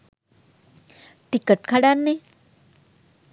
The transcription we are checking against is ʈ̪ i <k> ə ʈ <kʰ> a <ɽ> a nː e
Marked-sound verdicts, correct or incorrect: correct, correct, correct

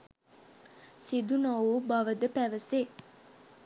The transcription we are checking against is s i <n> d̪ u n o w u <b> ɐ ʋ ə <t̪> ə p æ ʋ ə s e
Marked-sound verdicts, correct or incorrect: incorrect: none, correct, incorrect: d̪

